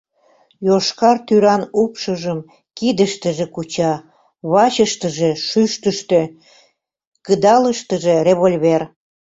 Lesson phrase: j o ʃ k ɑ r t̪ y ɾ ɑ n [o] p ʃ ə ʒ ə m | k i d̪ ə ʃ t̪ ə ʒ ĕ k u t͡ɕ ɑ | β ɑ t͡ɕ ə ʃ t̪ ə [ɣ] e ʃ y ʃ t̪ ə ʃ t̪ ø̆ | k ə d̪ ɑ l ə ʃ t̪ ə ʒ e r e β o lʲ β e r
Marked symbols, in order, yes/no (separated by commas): no, no